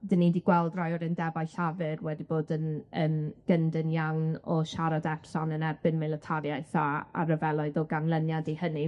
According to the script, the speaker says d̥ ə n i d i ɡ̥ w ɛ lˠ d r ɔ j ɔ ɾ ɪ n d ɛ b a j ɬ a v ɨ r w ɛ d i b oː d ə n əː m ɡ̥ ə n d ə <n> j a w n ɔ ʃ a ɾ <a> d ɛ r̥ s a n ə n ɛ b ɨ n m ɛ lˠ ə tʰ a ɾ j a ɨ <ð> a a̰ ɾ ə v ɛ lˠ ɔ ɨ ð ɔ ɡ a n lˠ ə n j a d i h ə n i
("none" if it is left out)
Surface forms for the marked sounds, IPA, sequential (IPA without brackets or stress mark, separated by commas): n, a, θ